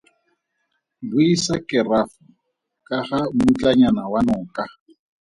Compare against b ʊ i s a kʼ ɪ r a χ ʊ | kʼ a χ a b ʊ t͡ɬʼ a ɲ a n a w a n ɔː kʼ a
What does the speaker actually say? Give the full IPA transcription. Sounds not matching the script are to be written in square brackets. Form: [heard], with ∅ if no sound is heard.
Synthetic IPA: b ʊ i s a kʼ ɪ r a [f] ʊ | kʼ a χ a [m] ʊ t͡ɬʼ a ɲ a n a w a n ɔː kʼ a